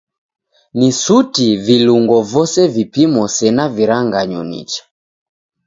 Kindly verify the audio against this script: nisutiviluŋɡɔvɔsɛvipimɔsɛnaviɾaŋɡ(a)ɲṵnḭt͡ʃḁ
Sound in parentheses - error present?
no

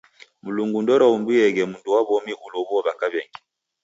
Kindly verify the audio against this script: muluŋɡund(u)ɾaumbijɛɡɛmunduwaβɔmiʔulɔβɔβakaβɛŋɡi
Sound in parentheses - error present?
yes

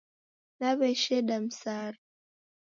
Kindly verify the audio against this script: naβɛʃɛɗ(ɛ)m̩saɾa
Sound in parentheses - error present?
yes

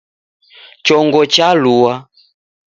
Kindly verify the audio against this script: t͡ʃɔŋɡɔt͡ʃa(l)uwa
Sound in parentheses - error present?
no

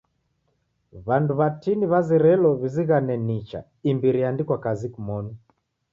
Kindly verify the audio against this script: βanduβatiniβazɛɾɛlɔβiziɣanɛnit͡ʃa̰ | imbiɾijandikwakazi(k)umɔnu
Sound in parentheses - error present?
no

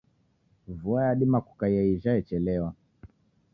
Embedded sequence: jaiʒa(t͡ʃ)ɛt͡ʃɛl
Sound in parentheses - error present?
yes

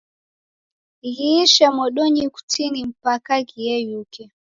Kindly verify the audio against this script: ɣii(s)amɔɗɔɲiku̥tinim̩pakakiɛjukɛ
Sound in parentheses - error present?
yes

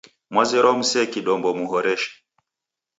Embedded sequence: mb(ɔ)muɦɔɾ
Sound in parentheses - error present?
no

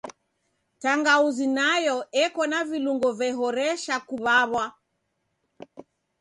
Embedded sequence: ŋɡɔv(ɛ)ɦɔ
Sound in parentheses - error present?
no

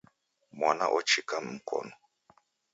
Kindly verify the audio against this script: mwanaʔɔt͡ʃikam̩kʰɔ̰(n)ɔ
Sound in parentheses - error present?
no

